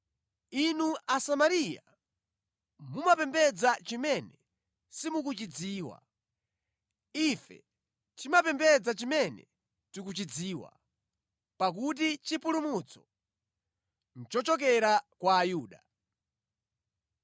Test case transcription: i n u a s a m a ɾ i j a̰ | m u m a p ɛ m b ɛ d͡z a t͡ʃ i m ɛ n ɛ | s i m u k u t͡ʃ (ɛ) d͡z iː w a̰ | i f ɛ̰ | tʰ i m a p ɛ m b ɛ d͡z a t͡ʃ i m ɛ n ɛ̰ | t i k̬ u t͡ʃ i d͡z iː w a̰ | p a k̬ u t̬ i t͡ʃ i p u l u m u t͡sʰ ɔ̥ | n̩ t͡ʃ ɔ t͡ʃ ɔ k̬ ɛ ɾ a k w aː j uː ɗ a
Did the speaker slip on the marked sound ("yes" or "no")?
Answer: yes